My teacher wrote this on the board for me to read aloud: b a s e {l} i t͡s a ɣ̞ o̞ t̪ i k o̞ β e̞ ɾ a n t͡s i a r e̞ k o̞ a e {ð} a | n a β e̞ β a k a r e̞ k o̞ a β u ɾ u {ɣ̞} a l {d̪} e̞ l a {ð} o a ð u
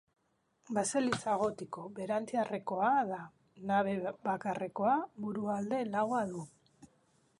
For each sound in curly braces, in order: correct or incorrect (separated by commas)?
correct, correct, incorrect, correct, incorrect